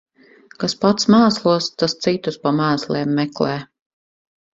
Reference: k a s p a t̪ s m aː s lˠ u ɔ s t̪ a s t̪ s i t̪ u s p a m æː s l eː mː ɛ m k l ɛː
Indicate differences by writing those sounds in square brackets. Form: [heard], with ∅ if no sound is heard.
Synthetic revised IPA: k a s p a t̪ s m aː s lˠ u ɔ s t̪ a s t̪ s i t̪ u s p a m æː s l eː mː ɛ [∅] k l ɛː

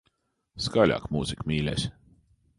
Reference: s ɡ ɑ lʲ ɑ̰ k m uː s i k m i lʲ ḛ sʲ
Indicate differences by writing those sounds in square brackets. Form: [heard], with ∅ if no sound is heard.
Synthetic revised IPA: s [k] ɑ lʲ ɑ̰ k m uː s i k m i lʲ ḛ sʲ

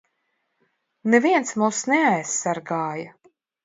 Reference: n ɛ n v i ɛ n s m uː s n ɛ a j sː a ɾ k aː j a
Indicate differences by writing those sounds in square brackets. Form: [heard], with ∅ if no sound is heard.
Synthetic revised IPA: n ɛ [∅] v i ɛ n s m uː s n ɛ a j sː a ɾ [ɡ] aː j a

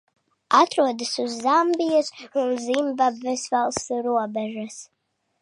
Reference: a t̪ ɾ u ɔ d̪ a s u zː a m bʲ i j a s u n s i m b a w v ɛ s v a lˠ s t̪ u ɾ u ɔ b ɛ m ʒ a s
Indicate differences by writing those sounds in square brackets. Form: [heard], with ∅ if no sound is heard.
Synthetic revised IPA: a t̪ ɾ u ɔ d̪ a s u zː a m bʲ i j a s u n [z] i m b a [b] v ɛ s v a lˠ s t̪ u ɾ u ɔ b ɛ [∅] ʒ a s

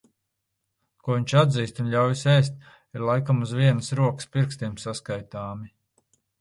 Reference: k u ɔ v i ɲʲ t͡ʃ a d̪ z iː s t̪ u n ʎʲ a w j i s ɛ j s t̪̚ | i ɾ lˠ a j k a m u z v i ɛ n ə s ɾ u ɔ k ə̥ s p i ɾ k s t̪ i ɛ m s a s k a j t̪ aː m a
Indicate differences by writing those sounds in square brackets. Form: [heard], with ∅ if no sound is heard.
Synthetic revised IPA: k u ɔ v i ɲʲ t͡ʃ a d̪ z iː s t̪ u n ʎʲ a w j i s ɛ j s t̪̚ | i ɾ lˠ a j k a m u z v i ɛ n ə s ɾ u ɔ k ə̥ s p i ɾ k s t̪ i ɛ m s a s k a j t̪ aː m [i]

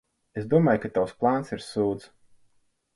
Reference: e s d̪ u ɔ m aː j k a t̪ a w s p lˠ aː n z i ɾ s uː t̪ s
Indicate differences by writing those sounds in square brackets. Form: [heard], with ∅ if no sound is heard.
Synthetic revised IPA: e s d̪ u ɔ m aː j k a t̪ a w s p lˠ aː n [s] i ɾ s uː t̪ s

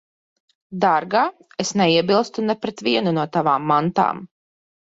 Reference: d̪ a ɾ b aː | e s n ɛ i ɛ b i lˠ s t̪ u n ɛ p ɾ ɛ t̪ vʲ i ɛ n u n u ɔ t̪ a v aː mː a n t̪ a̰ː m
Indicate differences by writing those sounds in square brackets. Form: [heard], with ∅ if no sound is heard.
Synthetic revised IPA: d̪ a ɾ [ɡ] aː | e s n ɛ i ɛ b i lˠ s t̪ u n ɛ p ɾ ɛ t̪ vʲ i ɛ n u n u ɔ t̪ a v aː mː a n t̪ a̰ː m

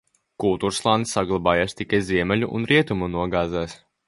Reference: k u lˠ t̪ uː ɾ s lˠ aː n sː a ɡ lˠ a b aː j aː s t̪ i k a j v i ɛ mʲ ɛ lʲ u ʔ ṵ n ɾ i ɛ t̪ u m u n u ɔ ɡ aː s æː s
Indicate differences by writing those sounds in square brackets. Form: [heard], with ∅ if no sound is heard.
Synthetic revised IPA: k u lˠ t̪ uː ɾ s lˠ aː n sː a ɡ lˠ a b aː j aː s t̪ i k a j [z] i ɛ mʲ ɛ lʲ u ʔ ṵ n ɾ i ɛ t̪ u m u n u ɔ ɡ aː [z] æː s

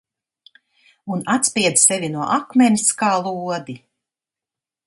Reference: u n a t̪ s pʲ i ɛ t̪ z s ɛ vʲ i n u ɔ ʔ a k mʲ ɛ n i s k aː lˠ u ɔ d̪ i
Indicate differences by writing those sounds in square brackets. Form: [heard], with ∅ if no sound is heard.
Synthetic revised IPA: u n a t̪ s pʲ i ɛ [d̪] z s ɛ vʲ i n u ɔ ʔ a k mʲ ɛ n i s k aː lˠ u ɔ d̪ i

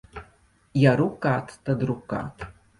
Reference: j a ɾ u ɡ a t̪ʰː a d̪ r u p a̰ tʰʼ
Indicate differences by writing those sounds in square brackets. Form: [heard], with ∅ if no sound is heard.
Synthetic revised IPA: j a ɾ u [k] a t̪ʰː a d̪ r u [k] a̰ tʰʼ

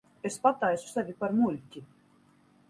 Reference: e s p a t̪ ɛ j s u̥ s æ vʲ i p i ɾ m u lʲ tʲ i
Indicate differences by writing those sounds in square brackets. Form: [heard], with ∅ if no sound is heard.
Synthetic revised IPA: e s p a t̪ [a] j s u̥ s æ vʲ i p [a] ɾ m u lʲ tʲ i

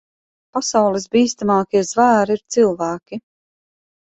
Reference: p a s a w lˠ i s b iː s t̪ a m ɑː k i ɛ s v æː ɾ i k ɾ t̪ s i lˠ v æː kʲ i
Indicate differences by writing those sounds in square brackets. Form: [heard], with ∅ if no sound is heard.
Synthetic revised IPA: p a s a w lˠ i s b iː s t̪ a m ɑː k i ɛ [z] v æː ɾ i [∅] ɾ t̪ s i lˠ v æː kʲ i

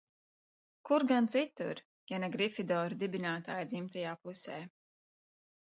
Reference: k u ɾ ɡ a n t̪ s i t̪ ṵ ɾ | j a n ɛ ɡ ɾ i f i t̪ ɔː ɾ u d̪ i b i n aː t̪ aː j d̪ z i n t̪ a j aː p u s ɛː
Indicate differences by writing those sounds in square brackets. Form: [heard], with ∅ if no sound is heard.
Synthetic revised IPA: k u ɾ ɡ a n t̪ s i t̪ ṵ ɾ | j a n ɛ ɡ ɾ i f i [d̪] ɔː ɾ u d̪ i b i n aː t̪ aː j d̪ z i [m] t̪ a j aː p u s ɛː

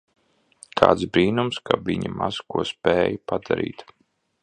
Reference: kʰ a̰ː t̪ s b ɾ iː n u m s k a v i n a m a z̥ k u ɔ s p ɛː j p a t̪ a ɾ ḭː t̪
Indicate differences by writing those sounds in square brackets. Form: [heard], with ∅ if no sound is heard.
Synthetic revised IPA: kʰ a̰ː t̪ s b ɾ iː n u m s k a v i [ɲ] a m a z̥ k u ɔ s p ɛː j p a [d̪] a ɾ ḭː t̪

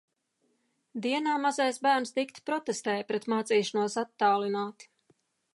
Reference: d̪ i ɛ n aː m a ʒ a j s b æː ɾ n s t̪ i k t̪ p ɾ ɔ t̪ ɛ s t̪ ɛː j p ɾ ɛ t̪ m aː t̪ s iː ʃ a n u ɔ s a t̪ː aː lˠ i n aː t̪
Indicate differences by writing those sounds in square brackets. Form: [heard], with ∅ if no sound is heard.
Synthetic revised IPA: d̪ i ɛ n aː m a [z] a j s b æː ɾ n s t̪ i k t̪ p ɾ ɔ t̪ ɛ s t̪ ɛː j p ɾ ɛ t̪ m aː t̪ s iː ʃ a n u ɔ s a t̪ː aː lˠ i n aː t̪

